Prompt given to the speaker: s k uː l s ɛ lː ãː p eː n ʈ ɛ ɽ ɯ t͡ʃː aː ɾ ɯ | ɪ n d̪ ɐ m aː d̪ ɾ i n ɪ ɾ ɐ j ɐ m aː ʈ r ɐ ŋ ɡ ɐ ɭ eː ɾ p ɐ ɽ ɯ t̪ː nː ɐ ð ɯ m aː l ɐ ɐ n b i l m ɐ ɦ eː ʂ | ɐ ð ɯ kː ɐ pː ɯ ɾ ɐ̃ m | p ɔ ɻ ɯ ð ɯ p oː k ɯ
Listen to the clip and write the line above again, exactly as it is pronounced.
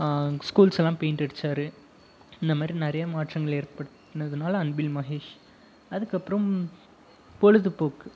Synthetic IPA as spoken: s k uː l s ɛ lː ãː p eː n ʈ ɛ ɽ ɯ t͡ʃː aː ɾ ɯ | ɪ n d̪ ɐ m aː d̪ ɾ i n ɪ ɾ ɐ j ɐ m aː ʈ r ɐ ŋ ɡ ɐ ɭ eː ɾ p ɐ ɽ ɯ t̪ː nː ɐ ð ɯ n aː l ɐ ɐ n b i l m ɐ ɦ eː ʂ | ɐ ð ɯ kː ɐ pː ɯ ɾ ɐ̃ m | p ɔ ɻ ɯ ð ɯ p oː k ɯ